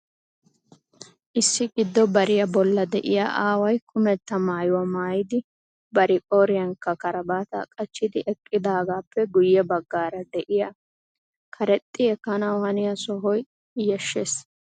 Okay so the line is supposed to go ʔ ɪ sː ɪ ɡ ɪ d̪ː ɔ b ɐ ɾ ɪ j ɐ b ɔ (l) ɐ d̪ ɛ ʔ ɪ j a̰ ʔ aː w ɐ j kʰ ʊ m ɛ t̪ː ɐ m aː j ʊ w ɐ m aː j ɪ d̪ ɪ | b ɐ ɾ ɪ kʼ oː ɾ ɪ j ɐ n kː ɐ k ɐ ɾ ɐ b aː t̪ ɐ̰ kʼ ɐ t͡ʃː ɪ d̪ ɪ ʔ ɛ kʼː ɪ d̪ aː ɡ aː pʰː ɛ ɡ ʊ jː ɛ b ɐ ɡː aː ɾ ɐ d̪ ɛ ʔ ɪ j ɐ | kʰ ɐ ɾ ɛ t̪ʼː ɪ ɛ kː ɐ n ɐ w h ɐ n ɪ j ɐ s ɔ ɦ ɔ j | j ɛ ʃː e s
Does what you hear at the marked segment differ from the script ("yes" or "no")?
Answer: yes